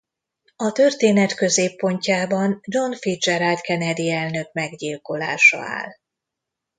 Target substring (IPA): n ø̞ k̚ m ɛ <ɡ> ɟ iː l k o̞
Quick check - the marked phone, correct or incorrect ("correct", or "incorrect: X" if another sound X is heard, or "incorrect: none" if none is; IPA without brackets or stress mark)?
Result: correct